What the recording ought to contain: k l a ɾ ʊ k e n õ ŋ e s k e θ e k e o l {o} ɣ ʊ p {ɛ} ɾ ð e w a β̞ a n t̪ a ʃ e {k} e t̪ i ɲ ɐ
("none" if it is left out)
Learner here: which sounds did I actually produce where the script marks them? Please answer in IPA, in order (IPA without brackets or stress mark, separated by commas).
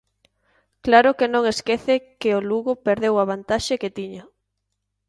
u, e, k